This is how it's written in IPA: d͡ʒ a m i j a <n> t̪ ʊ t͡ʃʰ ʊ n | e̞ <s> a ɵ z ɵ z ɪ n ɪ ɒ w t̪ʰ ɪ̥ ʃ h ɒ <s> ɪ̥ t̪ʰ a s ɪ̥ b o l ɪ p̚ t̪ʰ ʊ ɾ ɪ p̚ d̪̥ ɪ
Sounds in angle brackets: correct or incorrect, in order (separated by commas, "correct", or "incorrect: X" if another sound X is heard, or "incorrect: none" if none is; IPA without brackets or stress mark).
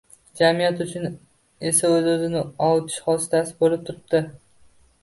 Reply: incorrect: none, correct, correct